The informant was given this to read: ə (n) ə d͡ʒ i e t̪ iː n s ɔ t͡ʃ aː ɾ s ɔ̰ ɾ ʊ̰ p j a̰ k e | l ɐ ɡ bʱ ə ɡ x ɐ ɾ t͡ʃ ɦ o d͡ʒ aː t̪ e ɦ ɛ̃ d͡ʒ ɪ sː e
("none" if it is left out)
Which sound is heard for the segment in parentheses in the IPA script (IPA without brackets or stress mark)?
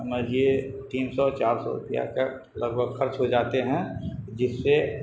m